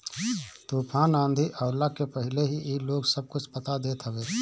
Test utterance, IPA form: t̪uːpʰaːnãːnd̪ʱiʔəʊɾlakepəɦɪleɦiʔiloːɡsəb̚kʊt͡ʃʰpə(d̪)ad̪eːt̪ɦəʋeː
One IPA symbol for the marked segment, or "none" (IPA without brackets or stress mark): t̪